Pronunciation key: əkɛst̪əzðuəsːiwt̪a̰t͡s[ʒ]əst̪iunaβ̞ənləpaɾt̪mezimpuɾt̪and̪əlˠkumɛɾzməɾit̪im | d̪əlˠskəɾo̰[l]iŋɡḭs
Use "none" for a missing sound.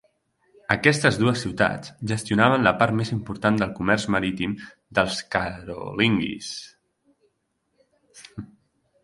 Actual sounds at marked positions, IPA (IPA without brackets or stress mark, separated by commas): ʒ, l